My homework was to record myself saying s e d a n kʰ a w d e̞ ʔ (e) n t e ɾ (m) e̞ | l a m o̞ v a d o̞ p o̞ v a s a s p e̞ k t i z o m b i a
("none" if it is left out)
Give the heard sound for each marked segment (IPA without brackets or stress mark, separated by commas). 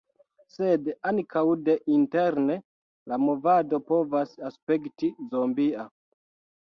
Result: i, n